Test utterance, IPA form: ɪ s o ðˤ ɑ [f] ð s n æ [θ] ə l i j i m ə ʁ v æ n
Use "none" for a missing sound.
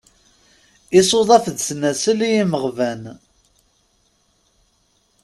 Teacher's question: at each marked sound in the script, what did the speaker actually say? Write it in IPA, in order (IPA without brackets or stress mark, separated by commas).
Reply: f, s